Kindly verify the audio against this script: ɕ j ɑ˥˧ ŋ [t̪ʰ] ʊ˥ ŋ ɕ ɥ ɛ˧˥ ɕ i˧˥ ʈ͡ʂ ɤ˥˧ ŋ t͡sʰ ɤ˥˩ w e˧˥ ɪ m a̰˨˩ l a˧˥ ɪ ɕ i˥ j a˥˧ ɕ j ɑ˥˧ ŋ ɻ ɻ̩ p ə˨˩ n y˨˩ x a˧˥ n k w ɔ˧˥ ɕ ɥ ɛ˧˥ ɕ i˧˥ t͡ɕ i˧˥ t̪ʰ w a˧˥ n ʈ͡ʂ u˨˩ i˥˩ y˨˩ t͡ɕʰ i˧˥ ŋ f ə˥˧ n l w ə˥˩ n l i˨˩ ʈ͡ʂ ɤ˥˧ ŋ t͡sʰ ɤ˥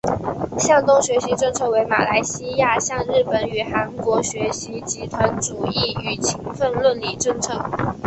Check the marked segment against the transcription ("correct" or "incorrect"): incorrect